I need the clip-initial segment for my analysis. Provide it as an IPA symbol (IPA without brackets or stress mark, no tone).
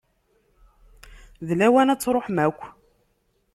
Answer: ð